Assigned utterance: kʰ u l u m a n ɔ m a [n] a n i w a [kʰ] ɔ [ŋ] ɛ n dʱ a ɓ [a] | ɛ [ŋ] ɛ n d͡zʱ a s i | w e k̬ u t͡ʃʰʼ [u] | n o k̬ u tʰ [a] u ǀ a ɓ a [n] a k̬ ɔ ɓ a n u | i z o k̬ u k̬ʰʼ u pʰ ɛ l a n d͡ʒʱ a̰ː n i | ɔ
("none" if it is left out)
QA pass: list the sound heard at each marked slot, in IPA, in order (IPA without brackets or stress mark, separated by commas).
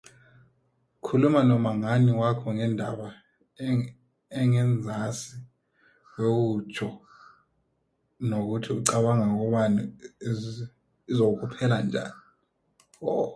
ŋ, kʰ, ŋ, a, ŋ, ɔ, i, ŋ